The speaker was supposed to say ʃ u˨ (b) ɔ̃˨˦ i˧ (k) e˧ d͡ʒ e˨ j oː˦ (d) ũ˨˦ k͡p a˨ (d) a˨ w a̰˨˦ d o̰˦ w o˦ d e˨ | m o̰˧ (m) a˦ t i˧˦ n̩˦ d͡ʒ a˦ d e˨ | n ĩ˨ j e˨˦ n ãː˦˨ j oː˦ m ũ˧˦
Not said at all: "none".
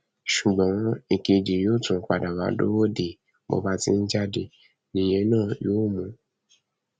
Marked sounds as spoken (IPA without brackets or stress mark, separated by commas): ɡ͡b, k, t, d, b